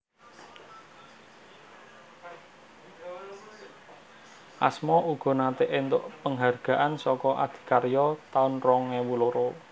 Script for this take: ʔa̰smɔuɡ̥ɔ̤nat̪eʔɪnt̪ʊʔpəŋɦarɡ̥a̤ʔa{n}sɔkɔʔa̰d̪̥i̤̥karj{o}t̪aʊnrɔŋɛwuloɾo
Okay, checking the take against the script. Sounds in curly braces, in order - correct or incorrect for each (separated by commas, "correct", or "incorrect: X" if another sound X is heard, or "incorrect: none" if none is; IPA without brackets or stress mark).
correct, incorrect: ɔ